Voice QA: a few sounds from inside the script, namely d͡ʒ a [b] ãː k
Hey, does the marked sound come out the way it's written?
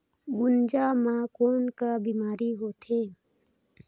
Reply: no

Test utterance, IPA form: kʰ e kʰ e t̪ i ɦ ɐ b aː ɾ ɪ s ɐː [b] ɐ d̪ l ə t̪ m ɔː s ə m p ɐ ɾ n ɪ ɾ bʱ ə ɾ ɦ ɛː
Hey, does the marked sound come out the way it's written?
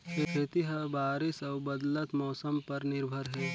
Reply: yes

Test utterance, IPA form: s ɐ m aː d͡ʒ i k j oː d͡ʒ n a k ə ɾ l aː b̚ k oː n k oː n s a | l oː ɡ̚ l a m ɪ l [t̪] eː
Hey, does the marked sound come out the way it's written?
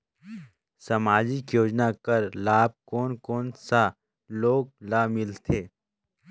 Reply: no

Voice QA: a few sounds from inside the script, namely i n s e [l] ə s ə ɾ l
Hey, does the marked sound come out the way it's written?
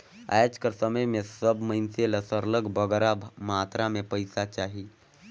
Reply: yes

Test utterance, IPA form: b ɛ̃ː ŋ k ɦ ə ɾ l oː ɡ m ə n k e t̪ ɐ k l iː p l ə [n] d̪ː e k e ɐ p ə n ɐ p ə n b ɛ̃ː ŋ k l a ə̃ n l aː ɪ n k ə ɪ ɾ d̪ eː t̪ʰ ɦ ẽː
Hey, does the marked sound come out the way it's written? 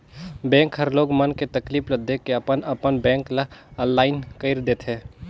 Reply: no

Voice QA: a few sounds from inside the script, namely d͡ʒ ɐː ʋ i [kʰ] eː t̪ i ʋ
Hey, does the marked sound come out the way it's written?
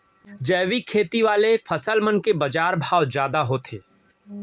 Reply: yes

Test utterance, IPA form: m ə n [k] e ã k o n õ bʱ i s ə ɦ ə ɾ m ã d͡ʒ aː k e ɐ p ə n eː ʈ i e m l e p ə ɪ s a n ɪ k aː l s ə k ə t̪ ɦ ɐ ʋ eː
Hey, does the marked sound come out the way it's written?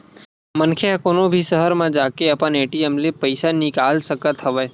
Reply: no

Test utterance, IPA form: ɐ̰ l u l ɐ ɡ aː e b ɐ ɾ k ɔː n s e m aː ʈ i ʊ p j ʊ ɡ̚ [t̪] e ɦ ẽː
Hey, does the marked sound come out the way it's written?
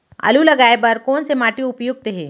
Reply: yes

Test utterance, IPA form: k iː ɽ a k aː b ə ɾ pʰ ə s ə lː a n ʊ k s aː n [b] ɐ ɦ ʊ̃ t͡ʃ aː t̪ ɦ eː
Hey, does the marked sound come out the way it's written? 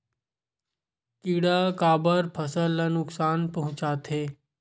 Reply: no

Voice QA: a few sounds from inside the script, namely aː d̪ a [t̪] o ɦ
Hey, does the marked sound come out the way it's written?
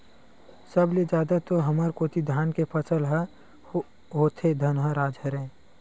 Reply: yes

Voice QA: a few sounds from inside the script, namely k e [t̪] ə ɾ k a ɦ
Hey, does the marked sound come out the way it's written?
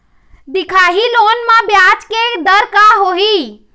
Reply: no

